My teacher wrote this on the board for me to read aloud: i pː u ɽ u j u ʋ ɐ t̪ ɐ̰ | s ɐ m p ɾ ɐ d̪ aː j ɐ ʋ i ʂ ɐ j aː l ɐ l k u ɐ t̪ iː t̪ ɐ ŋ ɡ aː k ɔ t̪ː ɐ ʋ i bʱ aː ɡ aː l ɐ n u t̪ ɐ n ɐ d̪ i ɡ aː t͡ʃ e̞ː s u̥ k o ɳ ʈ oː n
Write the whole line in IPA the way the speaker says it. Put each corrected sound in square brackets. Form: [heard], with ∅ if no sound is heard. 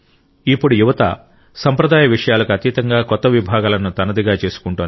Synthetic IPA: i pː u ɽ u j u ʋ ɐ t̪ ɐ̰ | s ɐ m p ɾ ɐ d̪ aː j ɐ ʋ i ʂ ɐ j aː l ɐ [∅] k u ɐ t̪ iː t̪ ɐ ŋ ɡ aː k ɔ t̪ː ɐ ʋ i bʱ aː ɡ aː l ɐ n u t̪ ɐ n ɐ d̪ i ɡ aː t͡ʃ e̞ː s u̥ k [u] ɳ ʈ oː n